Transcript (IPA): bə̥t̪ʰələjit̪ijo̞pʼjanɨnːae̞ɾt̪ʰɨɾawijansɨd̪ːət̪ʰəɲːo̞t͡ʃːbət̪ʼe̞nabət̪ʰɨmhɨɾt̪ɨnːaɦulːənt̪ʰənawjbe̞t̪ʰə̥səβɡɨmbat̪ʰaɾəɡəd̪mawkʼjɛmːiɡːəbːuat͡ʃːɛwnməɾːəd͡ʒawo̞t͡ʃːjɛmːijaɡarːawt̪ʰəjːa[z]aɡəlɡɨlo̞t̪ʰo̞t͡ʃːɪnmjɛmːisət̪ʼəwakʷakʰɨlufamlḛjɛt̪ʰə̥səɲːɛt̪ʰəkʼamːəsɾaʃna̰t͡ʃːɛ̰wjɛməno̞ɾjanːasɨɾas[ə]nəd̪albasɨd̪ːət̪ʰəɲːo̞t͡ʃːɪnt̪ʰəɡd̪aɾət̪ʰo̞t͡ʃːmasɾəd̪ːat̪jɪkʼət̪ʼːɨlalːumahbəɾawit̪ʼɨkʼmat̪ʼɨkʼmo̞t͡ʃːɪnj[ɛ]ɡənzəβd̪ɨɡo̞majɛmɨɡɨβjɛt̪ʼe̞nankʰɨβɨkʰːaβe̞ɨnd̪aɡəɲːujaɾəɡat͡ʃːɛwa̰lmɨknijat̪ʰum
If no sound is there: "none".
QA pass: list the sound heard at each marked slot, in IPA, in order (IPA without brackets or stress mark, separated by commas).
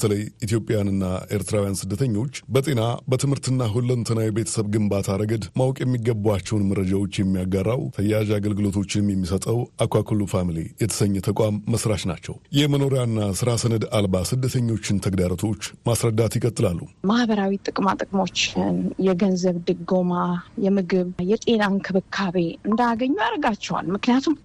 ʒ, ə, ɛ